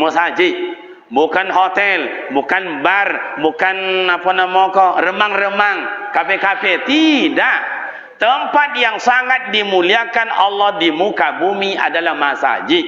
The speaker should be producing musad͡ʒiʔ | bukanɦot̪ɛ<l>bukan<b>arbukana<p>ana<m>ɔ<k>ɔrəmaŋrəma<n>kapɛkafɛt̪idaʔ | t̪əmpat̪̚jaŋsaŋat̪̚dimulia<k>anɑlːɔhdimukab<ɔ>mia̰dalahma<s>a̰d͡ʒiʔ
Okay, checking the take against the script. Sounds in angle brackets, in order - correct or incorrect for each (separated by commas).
correct, correct, correct, correct, correct, incorrect, correct, incorrect, correct